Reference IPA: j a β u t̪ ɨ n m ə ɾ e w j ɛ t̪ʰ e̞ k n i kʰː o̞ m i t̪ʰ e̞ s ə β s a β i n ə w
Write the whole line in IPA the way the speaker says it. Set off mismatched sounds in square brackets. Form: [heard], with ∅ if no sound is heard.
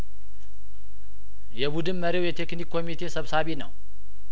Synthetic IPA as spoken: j [ɛ] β u [d̪] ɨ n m ə ɾ e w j ɛ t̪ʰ e̞ k n i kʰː o̞ m i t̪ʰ e̞ s ə β s a β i n ə w